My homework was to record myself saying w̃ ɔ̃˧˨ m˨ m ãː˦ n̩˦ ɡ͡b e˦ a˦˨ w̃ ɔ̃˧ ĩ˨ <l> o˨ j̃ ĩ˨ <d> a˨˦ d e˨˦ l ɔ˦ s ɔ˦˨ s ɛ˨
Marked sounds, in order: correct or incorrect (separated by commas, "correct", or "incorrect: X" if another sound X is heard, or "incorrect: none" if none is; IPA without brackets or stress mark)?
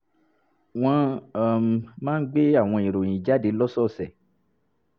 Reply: incorrect: ɾ, incorrect: d͡ʒ